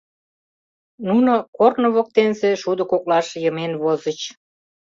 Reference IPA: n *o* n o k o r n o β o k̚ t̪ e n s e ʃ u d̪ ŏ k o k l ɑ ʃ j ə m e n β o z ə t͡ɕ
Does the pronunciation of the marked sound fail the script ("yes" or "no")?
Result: yes